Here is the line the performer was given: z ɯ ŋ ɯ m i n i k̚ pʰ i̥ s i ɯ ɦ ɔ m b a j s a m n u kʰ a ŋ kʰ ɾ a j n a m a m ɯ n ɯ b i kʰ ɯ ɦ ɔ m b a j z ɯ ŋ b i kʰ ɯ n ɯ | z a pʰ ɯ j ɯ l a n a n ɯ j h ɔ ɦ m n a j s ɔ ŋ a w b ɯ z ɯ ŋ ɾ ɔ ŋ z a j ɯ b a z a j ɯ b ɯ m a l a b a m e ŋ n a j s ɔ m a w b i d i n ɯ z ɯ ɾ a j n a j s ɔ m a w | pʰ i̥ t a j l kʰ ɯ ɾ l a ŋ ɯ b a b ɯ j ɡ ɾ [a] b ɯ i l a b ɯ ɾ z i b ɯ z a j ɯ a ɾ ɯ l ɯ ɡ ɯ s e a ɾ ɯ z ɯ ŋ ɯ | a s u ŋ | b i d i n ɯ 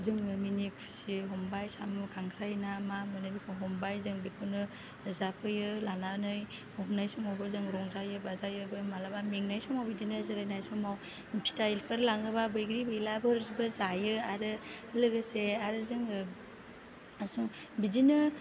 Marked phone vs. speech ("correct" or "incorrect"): incorrect